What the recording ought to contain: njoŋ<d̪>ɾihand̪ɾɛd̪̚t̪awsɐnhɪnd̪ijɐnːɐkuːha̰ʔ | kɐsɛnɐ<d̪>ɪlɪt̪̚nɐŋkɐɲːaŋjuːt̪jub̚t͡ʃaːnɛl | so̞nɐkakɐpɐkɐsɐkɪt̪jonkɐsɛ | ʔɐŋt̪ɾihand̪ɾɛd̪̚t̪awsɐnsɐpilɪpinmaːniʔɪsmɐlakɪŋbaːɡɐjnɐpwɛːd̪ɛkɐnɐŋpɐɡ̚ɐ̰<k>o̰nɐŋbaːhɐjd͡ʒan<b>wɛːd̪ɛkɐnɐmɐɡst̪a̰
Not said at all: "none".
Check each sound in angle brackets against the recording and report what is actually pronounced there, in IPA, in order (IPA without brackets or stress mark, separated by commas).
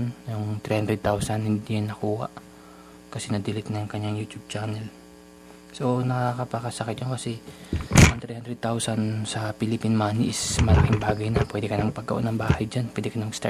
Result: t̪, d̪, ʔ, p